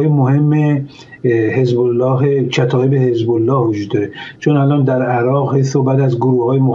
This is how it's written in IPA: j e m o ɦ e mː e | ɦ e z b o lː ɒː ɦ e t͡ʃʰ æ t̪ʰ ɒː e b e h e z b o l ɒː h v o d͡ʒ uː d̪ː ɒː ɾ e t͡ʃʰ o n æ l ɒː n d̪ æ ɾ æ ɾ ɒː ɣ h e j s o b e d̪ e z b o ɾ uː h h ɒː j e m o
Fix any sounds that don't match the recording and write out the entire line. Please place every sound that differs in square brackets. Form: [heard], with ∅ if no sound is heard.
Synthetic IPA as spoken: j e m o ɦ e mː e | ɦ e z b o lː ɒː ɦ e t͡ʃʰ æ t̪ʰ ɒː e b e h e z b o [lː] ɒː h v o d͡ʒ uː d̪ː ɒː ɾ e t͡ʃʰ o n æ l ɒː n d̪ æ ɾ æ ɾ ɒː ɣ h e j s o b [æ] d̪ [æ] z [ɡ] o ɾ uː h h ɒː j e m o